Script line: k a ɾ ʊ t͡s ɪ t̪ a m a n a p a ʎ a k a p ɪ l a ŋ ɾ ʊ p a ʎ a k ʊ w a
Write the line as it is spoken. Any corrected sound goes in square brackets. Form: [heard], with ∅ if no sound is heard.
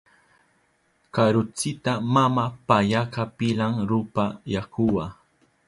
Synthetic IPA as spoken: k a ɾ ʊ t͡s ɪ t̪ a m a [m] a p a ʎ a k a p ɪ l a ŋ ɾ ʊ p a [j] a k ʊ w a